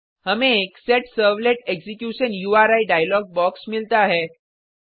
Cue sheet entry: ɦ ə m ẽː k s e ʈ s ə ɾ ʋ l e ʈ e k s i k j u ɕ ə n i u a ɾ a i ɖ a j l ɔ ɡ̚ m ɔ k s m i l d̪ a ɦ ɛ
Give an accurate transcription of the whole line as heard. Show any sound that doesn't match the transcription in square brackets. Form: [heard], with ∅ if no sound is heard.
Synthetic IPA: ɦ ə m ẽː k s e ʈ s ə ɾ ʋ l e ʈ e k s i k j u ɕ ə n [j] u a ɾ a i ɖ a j l ɔ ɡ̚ [b] ɔ k s m i l [t̪] a ɦ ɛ